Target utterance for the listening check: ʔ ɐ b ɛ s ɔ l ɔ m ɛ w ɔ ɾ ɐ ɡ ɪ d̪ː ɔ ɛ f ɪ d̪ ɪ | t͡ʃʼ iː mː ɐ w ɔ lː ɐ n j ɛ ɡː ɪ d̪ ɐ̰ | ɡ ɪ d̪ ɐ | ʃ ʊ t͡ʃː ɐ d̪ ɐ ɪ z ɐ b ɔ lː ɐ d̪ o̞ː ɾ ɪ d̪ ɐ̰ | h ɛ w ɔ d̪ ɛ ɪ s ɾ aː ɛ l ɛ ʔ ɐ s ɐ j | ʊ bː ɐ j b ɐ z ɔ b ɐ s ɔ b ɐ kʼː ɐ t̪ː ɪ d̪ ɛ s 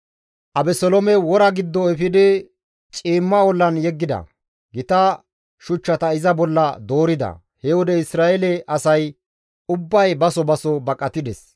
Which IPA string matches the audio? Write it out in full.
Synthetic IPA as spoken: ʔ ɐ b ɛ s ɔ l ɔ m ɛ w ɔ ɾ ɐ ɡ ɪ d̪ː ɔ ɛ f ɪ d̪ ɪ | t͡ʃʼ iː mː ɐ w ɔ lː ɐ n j ɛ ɡː ɪ d̪ ɐ̰ | ɡ ɪ t̪ ɐ | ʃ ʊ t͡ʃː ɐ t̪ ɐ ɪ z ɐ b ɔ lː ɐ d̪ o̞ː ɾ ɪ d̪ ɐ̰ | h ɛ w ɔ d̪ ɛ ɪ s ɾ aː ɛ l ɛ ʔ ɐ s ɐ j | ʊ bː ɐ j b ɐ s ɔ b ɐ s ɔ b ɐ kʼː ɐ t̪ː ɪ d̪ ɛ s